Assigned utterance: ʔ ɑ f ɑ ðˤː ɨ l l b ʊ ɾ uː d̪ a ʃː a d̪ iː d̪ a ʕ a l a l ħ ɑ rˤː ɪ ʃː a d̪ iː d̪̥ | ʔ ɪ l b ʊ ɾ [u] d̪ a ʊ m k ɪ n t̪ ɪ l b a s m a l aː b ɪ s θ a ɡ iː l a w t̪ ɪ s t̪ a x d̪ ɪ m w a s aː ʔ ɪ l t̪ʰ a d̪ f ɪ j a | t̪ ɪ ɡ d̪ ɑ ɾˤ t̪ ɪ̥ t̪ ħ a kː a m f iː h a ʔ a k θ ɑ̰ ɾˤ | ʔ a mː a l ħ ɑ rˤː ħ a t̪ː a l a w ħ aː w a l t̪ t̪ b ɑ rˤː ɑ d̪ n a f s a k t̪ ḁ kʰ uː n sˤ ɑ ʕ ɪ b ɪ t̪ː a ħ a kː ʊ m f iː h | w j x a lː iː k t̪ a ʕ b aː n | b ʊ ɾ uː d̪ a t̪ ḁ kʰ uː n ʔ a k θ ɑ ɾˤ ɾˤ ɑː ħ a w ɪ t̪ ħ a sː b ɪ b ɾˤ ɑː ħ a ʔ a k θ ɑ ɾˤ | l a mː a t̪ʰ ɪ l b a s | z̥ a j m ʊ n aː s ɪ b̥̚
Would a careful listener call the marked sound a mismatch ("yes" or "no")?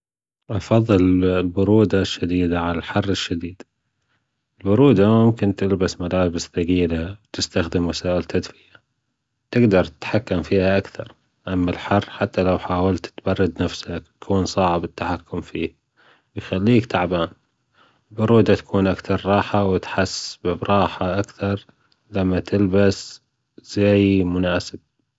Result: yes